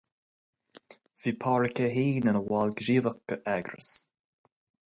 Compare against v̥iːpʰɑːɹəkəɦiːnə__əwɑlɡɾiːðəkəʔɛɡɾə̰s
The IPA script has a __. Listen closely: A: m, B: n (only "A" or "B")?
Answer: B